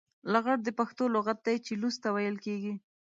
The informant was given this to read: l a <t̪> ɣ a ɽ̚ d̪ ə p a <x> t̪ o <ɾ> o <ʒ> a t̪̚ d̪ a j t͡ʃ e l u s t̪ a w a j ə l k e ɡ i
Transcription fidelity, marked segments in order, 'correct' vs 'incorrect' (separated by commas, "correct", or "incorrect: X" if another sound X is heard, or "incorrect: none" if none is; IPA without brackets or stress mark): incorrect: none, correct, incorrect: l, incorrect: ɣ